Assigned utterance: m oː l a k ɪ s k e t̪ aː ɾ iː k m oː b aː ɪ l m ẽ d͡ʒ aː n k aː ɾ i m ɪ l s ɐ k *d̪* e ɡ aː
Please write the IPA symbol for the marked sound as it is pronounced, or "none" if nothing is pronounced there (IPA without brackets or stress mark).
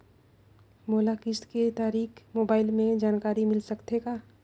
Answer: t̪